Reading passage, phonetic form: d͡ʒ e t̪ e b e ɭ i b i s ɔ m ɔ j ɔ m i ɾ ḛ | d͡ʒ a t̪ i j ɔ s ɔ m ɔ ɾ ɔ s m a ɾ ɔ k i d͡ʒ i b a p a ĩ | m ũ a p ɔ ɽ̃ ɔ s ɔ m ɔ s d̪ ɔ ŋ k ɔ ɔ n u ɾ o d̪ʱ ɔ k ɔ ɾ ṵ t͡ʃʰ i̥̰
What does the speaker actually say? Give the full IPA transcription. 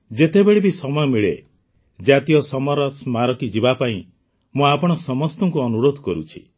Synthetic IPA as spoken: d͡ʒ e t̪ e b e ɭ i b i s ɔ m ɔ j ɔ m i ɭ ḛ | d͡ʒ a t̪ i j ɔ s ɔ m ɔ ɾ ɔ s m a ɾ ɔ k i d͡ʒ i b a p a ĩ | m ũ a p ɔ ɽ̃ ɔ s ɔ m ɔ s t̪ ɔ ŋ k u ɔ n u ɾ o d̪ʱ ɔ k ɔ ɾ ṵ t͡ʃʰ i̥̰